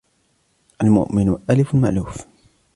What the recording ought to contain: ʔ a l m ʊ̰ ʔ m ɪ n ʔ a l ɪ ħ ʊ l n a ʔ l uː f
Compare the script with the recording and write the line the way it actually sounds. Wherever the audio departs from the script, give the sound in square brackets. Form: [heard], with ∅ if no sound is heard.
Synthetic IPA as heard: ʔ a l m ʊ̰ ʔ m ɪ n ʔ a l ɪ [f] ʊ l [m] a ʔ l uː f